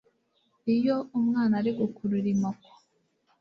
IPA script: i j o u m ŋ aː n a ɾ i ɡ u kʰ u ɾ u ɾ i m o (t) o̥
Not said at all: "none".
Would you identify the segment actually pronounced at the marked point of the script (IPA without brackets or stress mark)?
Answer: k